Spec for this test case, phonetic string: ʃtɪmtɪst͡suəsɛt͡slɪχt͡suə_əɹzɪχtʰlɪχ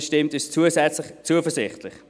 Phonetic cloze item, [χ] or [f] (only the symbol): f